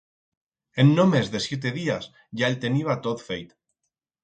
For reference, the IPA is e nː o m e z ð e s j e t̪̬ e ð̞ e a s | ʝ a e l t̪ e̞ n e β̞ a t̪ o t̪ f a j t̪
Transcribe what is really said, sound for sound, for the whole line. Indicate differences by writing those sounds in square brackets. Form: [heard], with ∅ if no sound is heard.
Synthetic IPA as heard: e nː o m e z ð e s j e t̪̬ e ð̞ [i] a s | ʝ a e l t̪ e̞ n [i] β̞ a t̪ o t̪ f [e] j t̪

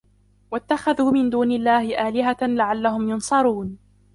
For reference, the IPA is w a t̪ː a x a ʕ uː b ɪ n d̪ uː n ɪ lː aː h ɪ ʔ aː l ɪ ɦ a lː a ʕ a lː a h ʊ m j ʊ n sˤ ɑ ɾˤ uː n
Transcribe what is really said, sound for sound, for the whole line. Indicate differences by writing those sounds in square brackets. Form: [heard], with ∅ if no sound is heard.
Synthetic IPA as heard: w a t̪ː a x a [ð] uː [m] ɪ n d̪ uː n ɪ lː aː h ɪ ʔ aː l ɪ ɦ a [l] a ʕ a lː a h ʊ m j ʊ n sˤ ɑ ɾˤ uː n

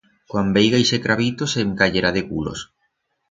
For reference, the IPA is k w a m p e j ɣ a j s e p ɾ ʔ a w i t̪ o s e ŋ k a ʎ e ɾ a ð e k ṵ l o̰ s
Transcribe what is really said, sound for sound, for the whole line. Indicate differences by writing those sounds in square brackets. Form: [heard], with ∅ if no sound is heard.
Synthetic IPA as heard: k w a m [b] e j ɣ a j s e [k] ɾ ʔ a [β] i t̪ o s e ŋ k a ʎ e ɾ a ð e k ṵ l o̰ s

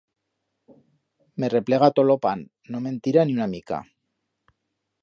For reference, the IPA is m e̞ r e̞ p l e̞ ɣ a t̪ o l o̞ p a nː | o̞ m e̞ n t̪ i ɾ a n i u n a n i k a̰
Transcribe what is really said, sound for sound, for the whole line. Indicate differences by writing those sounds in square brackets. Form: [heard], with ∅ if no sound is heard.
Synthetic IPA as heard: m e̞ r e̞ p l e̞ ɣ a t̪ o l o̞ p a nː | o̞ m e̞ n t̪ i ɾ a n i u n a [m] i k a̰

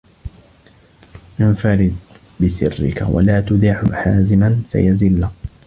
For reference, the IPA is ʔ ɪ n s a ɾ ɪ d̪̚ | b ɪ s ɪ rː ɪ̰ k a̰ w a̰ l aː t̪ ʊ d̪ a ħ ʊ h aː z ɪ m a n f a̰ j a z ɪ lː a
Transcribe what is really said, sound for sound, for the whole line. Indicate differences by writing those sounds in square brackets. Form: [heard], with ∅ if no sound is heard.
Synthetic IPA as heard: ʔ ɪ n [f] a ɾ ɪ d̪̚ | b ɪ s ɪ rː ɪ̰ k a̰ w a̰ l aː t̪ ʊ d̪ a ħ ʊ [ħ] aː z ɪ m a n f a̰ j a z ɪ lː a

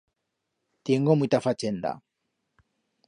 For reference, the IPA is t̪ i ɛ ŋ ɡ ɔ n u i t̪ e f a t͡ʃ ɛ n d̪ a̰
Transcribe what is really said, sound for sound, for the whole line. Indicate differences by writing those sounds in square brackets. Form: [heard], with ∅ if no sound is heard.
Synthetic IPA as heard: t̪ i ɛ ŋ ɡ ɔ [m] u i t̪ [a] f a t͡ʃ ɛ n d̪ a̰

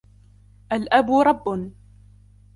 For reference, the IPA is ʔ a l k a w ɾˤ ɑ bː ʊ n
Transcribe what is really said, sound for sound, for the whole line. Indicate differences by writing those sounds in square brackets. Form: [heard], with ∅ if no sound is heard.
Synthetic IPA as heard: ʔ a l [ʔ] a [b] ɾˤ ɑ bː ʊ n

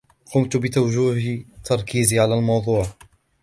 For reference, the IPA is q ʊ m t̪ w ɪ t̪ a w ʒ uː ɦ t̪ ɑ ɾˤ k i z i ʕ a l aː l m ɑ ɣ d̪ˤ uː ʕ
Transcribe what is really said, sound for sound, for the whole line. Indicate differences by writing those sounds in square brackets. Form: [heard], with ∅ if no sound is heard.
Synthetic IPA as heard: q ʊ m t̪ [b] ɪ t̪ a w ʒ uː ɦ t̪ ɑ ɾˤ k [iː] z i ʕ a l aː l m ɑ [w] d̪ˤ uː ʕ

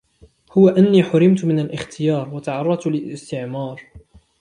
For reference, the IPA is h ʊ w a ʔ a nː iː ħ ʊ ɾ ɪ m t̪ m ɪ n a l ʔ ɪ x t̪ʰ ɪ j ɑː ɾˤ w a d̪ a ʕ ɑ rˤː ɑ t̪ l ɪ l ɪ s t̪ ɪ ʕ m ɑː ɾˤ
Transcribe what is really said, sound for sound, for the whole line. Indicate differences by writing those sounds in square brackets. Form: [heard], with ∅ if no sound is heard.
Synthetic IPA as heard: h ʊ w a ʔ a nː iː ħ ʊ ɾ ɪ m t̪ m ɪ n a l ʔ ɪ x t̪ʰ ɪ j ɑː ɾˤ w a [t̪] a ʕ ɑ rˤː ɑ t̪ l ɪ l ɪ s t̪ ɪ ʕ m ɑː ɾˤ

